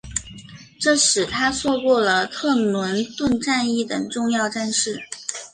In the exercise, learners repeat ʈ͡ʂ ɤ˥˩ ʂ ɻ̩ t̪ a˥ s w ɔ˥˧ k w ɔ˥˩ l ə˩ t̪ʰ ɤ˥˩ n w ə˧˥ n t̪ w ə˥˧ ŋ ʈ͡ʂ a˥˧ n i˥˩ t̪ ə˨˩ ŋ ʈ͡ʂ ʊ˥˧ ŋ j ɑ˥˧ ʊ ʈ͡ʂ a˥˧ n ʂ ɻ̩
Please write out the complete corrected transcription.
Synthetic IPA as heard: ʈ͡ʂ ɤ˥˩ ʂ ɻ̩ t̪ʰ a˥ s w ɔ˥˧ k w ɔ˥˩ l ə˩ t̪ʰ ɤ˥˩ n w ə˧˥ n t̪ w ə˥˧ n ʈ͡ʂ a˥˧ n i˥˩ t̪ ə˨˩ ŋ ʈ͡ʂ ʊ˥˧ ŋ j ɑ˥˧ ʊ ʈ͡ʂ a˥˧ n ʂ ɻ̩